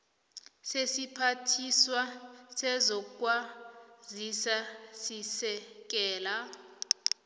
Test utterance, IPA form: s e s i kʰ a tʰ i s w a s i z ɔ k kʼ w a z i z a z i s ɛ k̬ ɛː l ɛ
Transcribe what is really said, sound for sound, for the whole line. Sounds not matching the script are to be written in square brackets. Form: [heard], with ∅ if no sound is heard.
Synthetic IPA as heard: s e s i [pʰ] a tʰ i s w a s [ɛ] z ɔ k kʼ w a z i [s] a [s] i s ɛ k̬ ɛː l [a]